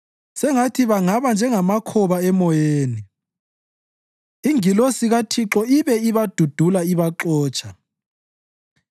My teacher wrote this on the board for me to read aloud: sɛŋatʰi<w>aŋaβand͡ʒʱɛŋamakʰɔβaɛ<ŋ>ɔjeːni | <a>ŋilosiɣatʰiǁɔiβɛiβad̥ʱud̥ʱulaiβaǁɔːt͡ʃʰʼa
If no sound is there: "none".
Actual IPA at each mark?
β, m, i

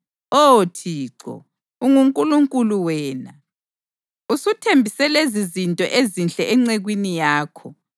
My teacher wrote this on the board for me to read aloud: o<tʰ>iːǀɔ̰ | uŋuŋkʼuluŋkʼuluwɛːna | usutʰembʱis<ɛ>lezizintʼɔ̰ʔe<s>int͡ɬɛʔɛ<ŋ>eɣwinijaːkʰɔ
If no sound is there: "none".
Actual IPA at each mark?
tʰ, ɛ, z, ŋ͡ǀ

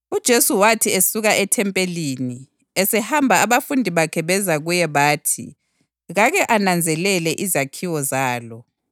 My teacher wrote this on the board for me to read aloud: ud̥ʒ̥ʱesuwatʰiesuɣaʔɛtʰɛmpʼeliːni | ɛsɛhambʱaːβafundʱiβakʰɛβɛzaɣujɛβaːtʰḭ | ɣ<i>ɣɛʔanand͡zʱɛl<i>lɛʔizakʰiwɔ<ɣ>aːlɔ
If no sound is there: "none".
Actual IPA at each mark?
a, ɛ, z

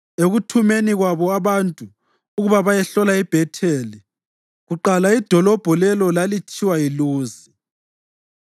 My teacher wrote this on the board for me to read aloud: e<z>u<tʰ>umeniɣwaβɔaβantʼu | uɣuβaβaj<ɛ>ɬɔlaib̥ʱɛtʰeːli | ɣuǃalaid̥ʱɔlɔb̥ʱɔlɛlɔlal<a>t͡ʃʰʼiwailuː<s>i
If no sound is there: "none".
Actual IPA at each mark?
ɣ, tʰ, ɛ, i, z

